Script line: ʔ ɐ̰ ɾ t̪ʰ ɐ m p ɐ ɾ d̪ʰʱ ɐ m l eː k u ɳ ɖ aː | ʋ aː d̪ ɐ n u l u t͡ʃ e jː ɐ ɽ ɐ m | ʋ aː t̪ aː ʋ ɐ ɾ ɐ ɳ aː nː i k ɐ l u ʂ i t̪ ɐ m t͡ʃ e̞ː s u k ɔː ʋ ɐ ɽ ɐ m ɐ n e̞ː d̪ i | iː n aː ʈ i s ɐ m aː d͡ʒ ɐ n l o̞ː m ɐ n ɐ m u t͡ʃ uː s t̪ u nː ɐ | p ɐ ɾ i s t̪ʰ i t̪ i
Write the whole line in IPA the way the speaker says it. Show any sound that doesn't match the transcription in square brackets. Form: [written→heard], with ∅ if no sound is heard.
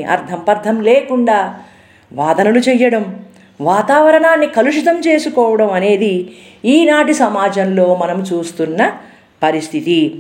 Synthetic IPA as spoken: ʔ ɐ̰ ɾ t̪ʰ ɐ m p ɐ ɾ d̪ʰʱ ɐ m l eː k u ɳ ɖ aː | ʋ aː d̪ ɐ n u l u t͡ʃ [e→ɛ] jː ɐ ɽ ɐ m | ʋ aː t̪ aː ʋ ɐ ɾ ɐ ɳ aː nː i k ɐ l u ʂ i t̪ ɐ m t͡ʃ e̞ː s u k ɔː ʋ ɐ ɽ ɐ m ɐ n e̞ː d̪ i | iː n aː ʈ i s ɐ m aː d͡ʒ ɐ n l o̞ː m ɐ n ɐ m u t͡ʃ uː s t̪ u nː ɐ | p ɐ ɾ i s t̪ʰ i t̪ i